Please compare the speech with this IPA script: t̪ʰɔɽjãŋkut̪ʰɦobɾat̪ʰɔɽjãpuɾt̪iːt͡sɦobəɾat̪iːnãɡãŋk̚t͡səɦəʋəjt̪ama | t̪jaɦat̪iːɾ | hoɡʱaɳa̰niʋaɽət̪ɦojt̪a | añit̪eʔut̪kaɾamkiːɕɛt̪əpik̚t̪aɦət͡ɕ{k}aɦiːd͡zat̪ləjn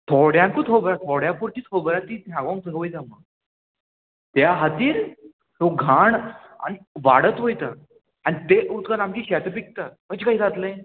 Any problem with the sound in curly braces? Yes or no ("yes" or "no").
no